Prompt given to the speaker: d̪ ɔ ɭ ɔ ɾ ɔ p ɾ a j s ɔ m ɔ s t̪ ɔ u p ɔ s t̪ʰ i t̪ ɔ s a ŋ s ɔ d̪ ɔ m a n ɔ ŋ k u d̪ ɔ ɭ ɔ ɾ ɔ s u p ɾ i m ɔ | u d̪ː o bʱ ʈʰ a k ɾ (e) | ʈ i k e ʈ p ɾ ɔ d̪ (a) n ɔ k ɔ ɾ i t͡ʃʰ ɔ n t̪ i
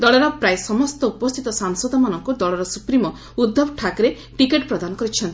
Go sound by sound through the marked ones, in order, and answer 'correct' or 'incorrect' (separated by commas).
correct, correct